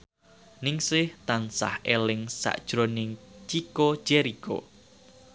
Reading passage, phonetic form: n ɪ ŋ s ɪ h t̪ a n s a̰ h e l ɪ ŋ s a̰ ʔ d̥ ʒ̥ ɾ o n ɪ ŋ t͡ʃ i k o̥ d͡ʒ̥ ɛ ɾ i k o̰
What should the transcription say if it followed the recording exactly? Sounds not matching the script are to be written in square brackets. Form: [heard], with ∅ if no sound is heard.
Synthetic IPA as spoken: n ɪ ŋ s ɪ h t̪ a n s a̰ h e l ɪ ŋ s a̰ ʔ d̥ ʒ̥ ɾ o n ɪ ŋ t͡ʃ i k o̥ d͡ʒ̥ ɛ ɾ i k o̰